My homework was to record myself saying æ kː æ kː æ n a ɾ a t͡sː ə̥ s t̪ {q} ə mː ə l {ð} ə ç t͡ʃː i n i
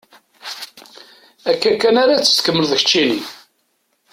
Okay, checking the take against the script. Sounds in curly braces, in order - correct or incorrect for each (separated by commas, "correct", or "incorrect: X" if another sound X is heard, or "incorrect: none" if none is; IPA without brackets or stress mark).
incorrect: k, correct